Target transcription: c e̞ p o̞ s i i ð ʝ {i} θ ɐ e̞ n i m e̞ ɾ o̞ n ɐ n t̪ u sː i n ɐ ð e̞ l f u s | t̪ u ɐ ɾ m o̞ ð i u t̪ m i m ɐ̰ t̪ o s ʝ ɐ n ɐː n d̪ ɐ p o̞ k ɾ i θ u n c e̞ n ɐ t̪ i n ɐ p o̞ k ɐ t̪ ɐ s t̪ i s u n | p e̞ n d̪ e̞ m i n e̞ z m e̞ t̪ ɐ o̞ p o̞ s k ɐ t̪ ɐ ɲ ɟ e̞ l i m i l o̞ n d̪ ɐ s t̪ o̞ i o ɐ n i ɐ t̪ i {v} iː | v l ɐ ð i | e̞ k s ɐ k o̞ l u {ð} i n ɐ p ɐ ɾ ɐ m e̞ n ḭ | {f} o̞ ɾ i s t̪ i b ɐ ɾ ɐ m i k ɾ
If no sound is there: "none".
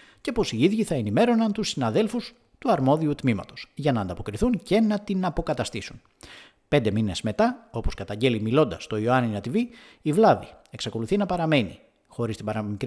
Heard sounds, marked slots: i, v, θ, x

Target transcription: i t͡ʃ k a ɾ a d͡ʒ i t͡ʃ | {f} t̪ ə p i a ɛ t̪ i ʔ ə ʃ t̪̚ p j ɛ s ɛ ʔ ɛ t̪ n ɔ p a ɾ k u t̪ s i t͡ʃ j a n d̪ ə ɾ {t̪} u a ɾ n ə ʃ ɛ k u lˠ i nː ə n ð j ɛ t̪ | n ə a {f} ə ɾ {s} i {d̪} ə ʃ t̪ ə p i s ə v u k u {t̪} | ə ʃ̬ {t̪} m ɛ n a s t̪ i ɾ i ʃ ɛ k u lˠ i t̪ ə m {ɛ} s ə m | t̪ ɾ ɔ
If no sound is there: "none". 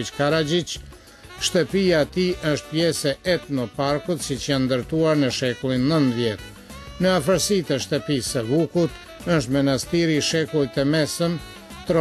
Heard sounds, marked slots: ʃ, t̪, f, s, t̪, t̪, t̪, ɛ

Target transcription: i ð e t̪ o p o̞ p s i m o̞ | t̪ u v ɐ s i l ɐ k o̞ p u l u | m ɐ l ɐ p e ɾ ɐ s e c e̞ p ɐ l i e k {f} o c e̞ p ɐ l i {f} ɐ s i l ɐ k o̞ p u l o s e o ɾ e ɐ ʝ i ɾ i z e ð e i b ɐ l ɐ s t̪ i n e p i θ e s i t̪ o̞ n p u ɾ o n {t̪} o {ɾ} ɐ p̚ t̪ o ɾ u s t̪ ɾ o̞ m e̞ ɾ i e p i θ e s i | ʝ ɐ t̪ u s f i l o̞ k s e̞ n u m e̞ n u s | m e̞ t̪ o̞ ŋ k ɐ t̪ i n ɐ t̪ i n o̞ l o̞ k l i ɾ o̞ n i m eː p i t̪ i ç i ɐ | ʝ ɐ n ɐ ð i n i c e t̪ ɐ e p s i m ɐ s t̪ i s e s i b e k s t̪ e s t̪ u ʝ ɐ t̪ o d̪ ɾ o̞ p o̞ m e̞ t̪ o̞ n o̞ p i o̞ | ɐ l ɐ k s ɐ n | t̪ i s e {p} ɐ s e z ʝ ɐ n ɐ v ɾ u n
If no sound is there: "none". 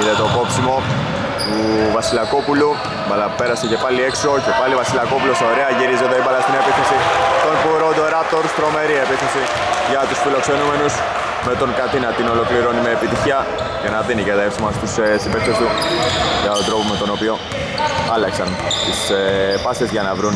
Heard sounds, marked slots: s, v, d̪, ɾ, p

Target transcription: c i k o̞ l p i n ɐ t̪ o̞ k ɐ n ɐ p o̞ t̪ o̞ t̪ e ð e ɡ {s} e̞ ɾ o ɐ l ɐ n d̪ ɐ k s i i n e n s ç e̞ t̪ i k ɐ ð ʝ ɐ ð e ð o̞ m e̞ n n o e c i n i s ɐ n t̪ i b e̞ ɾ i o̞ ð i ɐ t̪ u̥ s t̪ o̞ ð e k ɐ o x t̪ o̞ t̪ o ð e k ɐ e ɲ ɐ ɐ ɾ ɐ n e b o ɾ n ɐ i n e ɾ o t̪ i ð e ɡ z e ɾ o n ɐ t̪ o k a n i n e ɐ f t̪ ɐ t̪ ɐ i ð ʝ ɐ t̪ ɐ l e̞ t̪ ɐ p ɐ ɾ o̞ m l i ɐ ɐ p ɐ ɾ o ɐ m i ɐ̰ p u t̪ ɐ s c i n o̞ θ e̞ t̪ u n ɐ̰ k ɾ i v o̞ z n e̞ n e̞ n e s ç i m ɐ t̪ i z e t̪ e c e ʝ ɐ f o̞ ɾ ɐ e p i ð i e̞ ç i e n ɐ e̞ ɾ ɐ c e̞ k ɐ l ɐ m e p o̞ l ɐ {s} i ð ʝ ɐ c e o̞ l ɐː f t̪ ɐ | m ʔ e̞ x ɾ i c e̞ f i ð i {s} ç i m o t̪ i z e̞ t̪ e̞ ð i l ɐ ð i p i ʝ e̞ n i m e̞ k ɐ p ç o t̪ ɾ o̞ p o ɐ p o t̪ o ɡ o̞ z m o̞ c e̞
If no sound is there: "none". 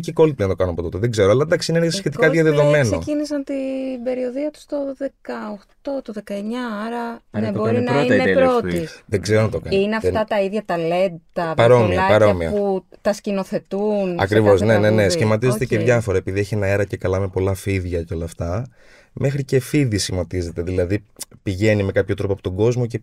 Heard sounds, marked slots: z, f, s

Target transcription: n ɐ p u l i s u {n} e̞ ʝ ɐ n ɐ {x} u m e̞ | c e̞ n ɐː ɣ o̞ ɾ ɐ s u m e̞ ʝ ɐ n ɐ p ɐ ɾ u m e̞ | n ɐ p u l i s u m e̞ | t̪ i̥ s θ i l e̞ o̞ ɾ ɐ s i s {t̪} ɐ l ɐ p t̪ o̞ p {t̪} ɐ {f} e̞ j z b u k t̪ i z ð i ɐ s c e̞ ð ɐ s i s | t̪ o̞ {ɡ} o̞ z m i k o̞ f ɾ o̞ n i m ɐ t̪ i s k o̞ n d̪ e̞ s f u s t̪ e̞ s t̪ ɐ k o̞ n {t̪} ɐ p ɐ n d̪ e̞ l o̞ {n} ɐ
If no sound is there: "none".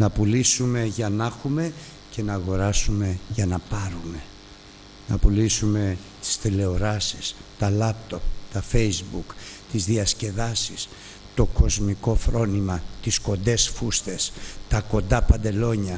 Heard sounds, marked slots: m, x, t̪, t̪, f, k, d̪, ɲ

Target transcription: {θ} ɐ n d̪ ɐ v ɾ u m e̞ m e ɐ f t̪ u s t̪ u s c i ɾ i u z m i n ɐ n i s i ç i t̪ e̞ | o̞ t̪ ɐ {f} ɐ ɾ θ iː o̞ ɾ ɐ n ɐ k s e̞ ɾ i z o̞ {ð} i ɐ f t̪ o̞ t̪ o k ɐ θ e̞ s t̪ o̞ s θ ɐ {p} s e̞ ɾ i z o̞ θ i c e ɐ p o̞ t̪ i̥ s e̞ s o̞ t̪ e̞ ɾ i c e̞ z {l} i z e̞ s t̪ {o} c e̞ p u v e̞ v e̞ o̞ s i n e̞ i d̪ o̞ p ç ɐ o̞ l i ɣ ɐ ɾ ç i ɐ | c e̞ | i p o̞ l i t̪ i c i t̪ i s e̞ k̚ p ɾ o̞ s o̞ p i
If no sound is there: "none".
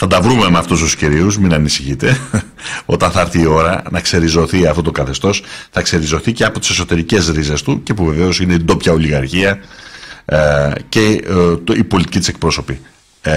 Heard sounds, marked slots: θ, θ, θ, k, ɾ, u

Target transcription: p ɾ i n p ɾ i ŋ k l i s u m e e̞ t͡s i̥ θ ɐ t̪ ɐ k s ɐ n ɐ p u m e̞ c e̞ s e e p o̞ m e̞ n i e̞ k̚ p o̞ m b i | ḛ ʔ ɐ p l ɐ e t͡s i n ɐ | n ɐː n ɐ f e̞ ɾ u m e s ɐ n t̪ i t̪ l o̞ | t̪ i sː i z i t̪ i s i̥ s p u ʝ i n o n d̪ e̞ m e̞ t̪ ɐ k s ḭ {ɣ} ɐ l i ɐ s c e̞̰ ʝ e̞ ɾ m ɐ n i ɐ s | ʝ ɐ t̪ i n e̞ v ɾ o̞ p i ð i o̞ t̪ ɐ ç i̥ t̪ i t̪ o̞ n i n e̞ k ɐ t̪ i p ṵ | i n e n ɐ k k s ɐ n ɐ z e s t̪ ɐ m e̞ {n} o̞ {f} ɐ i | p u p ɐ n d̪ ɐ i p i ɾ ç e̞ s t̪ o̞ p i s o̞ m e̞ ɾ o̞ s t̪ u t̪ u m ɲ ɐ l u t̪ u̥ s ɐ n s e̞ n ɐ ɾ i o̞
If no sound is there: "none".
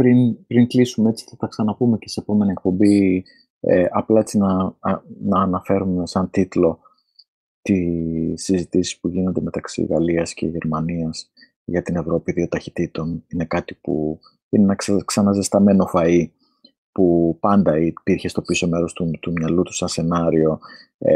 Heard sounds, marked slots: ɣ, n, f

